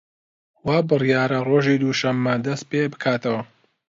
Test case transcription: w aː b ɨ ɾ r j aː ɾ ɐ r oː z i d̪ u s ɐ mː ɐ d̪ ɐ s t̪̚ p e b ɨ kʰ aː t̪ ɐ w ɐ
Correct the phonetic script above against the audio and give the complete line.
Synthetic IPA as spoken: w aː b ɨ r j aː ɾ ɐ r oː ʒ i d̪ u ʃ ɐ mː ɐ d̪ ɐ s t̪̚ p e b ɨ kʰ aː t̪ ɐ w ɐ